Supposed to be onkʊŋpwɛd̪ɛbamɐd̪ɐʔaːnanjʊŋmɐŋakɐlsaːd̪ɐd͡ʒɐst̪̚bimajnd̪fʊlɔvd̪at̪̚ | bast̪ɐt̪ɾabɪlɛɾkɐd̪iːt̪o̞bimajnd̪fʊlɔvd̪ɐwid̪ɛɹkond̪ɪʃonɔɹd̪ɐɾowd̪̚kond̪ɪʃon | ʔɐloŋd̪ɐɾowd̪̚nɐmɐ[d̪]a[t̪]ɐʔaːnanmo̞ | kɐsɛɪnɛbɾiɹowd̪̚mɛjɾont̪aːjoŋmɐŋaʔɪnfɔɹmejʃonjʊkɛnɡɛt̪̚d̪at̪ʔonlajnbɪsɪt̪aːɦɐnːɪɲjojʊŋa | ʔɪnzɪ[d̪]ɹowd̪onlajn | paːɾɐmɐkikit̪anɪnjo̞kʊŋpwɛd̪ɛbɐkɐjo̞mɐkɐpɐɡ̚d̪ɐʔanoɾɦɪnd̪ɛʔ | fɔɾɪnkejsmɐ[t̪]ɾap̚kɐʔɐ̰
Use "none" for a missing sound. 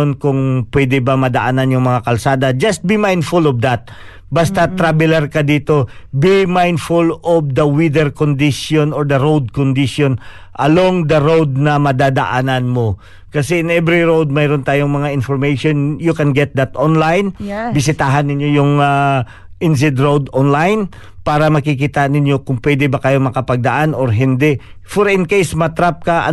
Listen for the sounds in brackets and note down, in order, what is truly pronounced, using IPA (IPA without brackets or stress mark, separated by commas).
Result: d̪, d̪, d̪, t̪